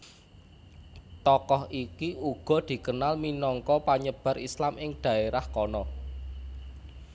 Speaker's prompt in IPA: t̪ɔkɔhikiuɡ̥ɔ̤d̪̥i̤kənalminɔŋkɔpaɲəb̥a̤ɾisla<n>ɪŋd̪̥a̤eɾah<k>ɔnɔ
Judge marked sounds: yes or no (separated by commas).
no, yes